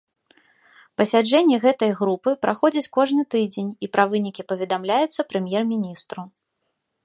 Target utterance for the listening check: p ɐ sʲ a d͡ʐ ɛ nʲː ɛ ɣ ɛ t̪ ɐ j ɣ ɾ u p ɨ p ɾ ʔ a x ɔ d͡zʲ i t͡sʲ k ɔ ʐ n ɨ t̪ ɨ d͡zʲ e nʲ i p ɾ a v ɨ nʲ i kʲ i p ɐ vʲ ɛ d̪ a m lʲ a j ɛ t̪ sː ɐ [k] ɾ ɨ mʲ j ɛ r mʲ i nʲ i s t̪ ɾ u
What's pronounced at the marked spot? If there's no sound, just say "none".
p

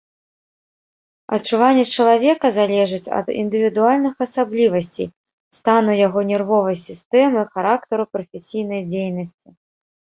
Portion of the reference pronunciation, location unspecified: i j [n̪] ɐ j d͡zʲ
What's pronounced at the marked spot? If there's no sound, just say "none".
n̪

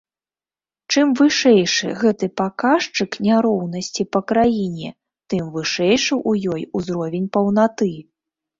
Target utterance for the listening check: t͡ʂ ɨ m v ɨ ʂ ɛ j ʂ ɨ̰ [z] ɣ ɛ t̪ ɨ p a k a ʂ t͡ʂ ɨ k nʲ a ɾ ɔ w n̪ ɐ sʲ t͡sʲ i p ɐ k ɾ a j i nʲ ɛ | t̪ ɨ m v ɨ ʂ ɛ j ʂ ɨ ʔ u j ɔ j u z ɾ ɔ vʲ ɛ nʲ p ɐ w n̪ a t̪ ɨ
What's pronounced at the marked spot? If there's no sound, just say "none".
none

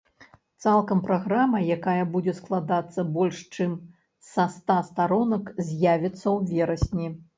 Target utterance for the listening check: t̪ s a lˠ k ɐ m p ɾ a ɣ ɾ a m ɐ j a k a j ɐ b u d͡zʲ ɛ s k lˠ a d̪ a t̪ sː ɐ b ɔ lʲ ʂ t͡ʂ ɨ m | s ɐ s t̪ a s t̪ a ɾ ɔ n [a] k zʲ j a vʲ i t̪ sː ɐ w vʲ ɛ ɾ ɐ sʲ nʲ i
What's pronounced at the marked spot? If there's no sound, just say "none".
ɐ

